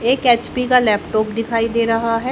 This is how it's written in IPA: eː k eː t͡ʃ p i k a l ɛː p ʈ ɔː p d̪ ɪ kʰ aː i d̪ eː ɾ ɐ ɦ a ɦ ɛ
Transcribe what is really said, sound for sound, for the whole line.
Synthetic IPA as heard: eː k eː t͡ʃ p i k a l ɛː p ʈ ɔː p d̪ ɪ kʰ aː i d̪ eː ɾ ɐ ɦ a ɦ ɛ